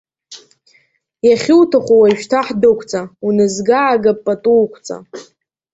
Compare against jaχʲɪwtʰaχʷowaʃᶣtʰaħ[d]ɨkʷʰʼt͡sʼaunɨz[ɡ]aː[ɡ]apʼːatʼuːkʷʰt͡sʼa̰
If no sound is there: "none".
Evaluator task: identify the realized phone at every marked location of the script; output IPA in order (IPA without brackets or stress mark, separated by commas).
d, ɡ, ɡ